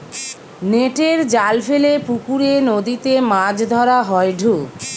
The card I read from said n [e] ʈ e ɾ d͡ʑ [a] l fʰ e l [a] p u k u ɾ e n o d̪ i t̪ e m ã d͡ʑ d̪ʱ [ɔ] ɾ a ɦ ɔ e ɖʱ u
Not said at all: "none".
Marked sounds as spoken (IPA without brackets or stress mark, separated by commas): e, a, e, ɔ